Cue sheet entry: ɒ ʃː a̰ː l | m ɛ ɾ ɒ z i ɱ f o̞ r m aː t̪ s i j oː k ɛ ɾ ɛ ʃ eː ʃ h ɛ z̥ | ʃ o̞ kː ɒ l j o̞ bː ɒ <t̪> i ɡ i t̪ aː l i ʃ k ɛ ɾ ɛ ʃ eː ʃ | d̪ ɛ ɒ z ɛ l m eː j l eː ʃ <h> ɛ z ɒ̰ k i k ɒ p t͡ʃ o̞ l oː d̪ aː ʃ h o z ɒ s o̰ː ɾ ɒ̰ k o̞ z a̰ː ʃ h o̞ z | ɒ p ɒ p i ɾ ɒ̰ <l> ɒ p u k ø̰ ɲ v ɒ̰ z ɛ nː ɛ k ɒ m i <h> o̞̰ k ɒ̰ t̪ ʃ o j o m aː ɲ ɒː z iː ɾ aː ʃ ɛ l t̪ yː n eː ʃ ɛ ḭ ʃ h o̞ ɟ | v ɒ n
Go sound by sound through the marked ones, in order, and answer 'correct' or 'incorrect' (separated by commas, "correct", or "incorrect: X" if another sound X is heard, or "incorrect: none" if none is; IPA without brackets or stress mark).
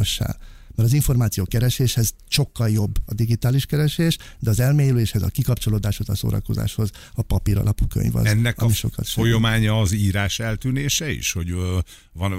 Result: incorrect: d̪, correct, correct, incorrect: ʃ